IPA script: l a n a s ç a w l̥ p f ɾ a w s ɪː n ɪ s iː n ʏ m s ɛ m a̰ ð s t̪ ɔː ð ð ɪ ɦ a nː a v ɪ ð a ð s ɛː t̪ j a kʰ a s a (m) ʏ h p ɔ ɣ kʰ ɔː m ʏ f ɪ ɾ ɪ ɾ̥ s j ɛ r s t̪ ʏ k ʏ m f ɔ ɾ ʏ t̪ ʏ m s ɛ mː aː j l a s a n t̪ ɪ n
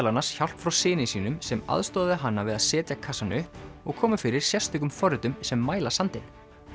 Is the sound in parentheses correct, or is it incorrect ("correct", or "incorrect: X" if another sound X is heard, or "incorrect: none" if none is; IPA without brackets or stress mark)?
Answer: incorrect: n